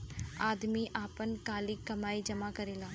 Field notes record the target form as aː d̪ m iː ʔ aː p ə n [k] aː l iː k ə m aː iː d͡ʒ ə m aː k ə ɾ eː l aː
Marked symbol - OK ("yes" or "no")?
yes